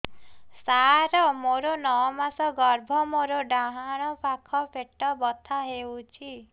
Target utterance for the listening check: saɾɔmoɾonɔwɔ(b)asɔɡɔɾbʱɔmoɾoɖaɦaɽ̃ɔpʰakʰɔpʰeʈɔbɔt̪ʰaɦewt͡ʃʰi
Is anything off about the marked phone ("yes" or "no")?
yes